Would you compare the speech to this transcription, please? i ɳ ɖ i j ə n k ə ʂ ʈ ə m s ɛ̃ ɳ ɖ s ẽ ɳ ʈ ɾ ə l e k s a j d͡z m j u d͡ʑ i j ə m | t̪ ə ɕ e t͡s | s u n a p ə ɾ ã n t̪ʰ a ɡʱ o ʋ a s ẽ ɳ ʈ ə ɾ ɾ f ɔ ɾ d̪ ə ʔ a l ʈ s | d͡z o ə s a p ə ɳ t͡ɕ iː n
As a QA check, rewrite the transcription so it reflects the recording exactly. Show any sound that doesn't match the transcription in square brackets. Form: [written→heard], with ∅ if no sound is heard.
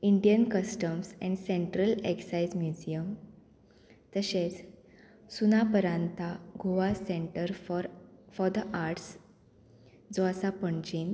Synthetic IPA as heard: i ɳ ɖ i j ə n k ə [ʂ→s] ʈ ə m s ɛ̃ ɳ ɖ s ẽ ɳ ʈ ɾ ə l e k s a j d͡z m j u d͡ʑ i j ə m | t̪ ə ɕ e t͡s | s u n a p ə ɾ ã n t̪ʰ a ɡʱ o ʋ a s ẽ ɳ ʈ ə ɾ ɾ f ɔ ɾ d̪ ə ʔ a [l→ɾ] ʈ s | d͡z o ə s a p ə ɳ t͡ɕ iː n